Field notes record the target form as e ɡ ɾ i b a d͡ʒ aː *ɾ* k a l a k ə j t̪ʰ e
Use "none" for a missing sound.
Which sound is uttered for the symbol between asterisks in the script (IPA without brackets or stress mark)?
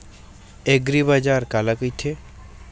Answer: ɾ